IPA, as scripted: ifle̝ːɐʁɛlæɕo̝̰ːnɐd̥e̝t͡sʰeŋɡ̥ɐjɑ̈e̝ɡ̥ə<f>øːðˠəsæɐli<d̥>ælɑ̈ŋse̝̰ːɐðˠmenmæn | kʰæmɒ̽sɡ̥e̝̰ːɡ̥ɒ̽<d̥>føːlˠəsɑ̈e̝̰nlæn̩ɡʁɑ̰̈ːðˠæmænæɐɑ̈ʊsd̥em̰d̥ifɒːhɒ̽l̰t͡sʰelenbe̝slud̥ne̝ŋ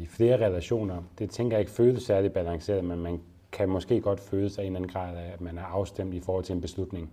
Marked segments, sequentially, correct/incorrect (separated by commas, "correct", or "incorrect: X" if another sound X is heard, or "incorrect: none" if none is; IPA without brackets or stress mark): correct, incorrect: b̥, correct